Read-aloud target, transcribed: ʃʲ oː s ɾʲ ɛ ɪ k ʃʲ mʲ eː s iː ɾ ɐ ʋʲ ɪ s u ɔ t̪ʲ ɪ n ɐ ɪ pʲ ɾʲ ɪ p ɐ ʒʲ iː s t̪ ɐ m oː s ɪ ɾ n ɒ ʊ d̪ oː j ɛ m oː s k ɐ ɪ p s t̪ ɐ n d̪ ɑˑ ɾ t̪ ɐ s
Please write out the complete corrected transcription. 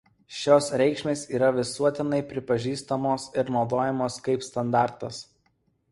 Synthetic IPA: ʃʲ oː s ɾʲ ɛ ɪ k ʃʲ mʲ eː s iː ɾ ɐ ʋʲ ɪ s u ɔ t̪ʲ ɪ n ɐ ɪ pʲ ɾʲ ɪ p ɐ ʒʲ iː s t̪ ɐ m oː s ɪ ɾ n ɒ ʊ d̪ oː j ɛ m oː s k ɐ ɪ p s t̪ ɐ n d̪ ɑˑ ɾ t̪ ɐ s